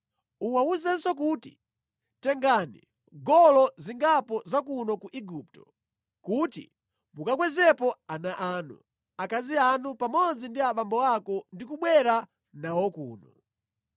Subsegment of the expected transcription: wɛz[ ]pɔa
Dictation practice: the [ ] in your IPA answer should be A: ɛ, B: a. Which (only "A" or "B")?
A